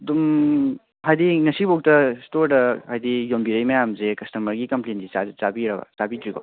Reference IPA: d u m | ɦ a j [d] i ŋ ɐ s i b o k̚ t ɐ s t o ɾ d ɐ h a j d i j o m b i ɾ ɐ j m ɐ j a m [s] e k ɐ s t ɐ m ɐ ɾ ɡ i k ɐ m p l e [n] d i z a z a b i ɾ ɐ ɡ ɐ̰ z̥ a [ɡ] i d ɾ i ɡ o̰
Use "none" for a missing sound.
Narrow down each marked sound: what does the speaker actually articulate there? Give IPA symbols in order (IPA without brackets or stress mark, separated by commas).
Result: d, z, n, b